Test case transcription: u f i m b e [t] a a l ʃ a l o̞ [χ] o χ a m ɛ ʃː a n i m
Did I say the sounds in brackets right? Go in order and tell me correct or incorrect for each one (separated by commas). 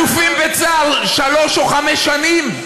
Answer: incorrect, incorrect